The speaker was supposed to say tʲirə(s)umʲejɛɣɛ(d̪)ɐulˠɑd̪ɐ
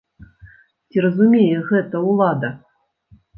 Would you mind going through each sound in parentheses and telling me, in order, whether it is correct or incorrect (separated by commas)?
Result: incorrect, incorrect